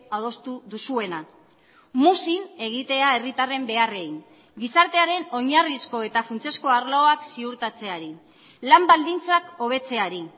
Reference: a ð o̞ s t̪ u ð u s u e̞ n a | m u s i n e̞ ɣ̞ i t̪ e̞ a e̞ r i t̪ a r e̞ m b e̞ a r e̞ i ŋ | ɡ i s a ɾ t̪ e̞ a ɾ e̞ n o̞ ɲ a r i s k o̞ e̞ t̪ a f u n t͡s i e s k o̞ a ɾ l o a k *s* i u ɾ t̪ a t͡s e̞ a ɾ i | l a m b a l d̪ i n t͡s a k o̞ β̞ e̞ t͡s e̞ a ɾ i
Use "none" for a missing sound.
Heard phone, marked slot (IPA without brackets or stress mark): s